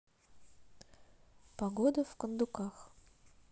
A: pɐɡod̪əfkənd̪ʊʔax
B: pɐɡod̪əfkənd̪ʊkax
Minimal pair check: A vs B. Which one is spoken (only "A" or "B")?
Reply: B